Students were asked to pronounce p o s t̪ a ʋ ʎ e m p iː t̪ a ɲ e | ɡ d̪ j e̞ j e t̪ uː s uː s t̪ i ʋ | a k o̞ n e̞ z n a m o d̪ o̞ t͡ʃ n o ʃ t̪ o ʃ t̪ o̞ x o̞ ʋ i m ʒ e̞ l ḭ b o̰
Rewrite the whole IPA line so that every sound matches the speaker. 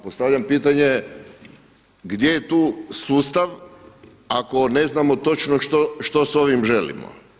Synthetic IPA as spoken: p o s t̪ a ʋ ʎ a m p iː t̪ a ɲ e | ɡ d̪ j e̞ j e t̪ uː s uː s t̪ a ʋ | a k o̞ n e̞ z n a m o t̪ o̞ t͡ʃ n o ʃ t̪ o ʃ t̪ o̞ s o̞ ʋ i m ʒ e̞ l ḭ m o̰